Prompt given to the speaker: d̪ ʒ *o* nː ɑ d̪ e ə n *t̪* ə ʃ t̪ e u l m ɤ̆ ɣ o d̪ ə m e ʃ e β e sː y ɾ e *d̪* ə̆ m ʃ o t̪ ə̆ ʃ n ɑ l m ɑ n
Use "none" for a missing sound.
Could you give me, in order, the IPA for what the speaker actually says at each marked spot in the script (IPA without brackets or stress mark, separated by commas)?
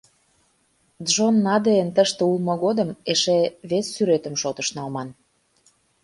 o, t̪, t̪